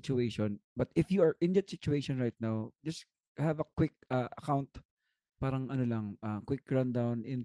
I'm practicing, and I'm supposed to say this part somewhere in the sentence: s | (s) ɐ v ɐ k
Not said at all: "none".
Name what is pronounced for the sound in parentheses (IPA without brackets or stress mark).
h